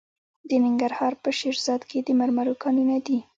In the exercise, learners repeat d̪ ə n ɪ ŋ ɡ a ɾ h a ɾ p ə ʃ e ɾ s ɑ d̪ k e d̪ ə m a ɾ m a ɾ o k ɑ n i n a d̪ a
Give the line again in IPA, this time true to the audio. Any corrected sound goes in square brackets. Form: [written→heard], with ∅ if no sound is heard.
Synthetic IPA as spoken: d̪ ə n ɪ ŋ ɡ a ɾ h [a→ɑ] ɾ p ə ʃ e ɾ [s→z] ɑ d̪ k e d̪ ə m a ɾ m a ɾ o k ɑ n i n a d̪ [a→i]